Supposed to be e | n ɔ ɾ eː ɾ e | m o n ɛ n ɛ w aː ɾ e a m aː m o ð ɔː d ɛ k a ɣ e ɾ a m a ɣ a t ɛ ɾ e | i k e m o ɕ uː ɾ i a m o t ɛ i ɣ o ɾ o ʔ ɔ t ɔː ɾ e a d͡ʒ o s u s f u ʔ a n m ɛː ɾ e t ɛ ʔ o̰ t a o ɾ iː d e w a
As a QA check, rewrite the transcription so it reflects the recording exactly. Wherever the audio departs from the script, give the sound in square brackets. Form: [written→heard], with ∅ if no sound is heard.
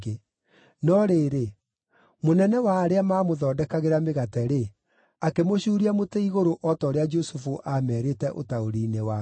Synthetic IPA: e | n ɔ ɾ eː ɾ e | m o n ɛ n ɛ w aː ɾ e a m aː m o ð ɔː d ɛ k a ɣ e ɾ a m [a→e] ɣ a t ɛ ɾ e | [i→a] k e m o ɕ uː ɾ i a m o t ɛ i ɣ o ɾ o ʔ ɔ t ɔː ɾ e a d͡ʒ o s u [s→∅] f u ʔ a [n→∅] m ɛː ɾ e t ɛ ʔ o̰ t a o ɾ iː [d→n] e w a